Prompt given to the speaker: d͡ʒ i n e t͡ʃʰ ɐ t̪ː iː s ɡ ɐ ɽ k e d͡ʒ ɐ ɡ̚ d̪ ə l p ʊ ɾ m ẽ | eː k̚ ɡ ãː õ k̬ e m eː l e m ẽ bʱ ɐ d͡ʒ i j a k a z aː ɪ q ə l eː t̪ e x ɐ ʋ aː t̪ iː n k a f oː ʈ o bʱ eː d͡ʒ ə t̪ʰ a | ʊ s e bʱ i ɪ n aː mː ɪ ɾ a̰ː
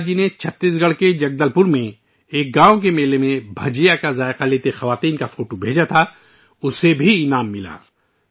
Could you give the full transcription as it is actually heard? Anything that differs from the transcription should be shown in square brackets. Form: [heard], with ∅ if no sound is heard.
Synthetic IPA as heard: d͡ʒ i n e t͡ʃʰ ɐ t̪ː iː s ɡ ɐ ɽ k e d͡ʒ ɐ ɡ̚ d̪ ə l p ʊ ɾ m ẽ | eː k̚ ɡ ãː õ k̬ e m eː l e m ẽ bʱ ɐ d͡ʒ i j a k a z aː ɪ q [a] l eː t̪ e x ɐ ʋ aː t̪ iː n k a f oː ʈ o bʱ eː d͡ʒ [a] t̪ʰ a | ʊ s e bʱ i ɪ n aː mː ɪ [l] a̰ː

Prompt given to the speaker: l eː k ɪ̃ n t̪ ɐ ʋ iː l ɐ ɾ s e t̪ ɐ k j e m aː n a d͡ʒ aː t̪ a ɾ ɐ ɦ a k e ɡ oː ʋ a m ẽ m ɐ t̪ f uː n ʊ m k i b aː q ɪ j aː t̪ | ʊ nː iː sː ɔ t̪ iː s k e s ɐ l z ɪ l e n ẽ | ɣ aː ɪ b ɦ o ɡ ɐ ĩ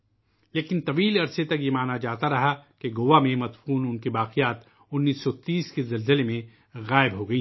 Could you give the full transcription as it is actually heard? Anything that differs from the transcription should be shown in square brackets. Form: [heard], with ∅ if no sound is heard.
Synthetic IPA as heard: l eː k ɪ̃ n t̪ ɐ ʋ iː l ɐ ɾ s e t̪ ɐ k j e m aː n a d͡ʒ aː t̪ a ɾ ɐ ɦ a k e ɡ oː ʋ a m ẽ m ɐ t̪ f uː n ʊ [n] k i b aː q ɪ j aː t̪ | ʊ nː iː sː ɔ t̪ iː s k e [z] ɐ l z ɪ l e [m] ẽ | ɣ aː ɪ b ɦ o ɡ ɐ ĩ

